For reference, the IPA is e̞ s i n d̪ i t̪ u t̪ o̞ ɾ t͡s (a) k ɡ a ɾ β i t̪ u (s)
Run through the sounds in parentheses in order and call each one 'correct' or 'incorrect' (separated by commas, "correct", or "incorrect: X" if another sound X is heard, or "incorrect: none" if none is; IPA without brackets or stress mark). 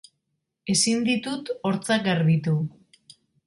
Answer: correct, incorrect: none